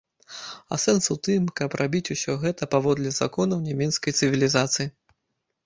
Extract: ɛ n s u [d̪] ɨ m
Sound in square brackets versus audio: incorrect: t̪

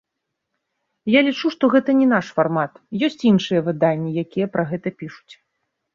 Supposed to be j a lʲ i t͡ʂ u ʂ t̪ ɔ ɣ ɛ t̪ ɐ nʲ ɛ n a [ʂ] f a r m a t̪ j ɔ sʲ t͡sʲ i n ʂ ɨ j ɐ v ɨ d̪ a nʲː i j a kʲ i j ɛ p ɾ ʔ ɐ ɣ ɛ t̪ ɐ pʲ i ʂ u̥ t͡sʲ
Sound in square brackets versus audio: correct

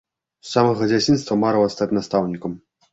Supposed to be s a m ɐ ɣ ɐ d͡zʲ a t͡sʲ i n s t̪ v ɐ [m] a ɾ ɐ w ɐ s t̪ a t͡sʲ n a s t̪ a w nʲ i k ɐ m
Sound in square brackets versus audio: correct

